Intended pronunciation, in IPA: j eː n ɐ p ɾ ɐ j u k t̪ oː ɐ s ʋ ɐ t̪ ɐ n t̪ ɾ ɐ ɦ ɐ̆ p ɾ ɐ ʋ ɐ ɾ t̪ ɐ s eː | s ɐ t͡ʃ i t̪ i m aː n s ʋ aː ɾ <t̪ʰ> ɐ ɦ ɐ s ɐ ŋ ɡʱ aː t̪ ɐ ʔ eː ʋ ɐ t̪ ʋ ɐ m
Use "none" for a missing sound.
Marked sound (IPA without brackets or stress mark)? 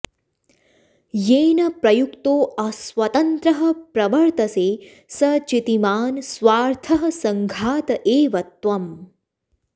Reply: t̪ʰ